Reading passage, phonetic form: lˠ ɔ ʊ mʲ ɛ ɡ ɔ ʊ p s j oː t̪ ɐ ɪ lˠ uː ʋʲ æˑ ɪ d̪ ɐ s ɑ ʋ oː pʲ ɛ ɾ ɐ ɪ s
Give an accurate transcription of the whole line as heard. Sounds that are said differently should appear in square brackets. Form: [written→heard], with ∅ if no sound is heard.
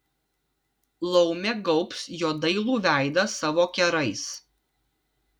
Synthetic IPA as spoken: lˠ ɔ ʊ mʲ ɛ ɡ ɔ ʊ p s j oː [t̪→d̪] ɐ ɪ lˠ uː ʋʲ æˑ ɪ d̪ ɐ s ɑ ʋ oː [pʲ→kʲ] ɛ ɾ ɐ ɪ s